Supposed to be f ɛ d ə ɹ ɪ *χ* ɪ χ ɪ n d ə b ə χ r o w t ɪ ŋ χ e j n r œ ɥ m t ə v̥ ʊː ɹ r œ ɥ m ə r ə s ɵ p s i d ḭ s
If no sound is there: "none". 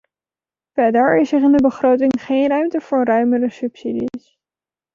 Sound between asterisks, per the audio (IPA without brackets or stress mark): s